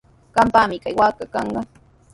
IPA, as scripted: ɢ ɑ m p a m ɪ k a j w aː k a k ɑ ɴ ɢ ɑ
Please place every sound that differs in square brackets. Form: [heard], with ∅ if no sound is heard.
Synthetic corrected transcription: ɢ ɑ m p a m ɪ k a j w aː k a k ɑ ɴ ɢ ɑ